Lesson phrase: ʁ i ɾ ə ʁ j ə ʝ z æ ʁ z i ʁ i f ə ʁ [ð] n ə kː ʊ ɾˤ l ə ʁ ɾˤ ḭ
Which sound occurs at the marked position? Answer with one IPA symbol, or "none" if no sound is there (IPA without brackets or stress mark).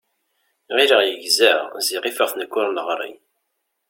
θ